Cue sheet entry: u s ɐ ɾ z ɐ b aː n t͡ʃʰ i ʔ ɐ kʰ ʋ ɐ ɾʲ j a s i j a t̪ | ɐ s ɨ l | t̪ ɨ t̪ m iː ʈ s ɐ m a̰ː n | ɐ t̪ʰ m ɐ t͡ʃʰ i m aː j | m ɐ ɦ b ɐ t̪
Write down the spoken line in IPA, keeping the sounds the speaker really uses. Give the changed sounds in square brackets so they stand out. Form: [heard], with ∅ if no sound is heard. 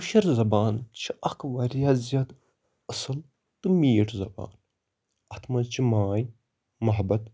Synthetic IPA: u [ʃ] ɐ ɾ z ɐ b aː n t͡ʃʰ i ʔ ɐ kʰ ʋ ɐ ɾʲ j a [z] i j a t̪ | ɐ s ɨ l | t̪ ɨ [∅] m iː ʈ [z] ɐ [b] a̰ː n | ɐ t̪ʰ m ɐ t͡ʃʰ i m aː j | m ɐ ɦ b ɐ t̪